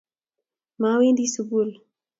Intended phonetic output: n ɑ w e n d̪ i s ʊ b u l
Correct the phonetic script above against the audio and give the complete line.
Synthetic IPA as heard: m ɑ w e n d̪ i s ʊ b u l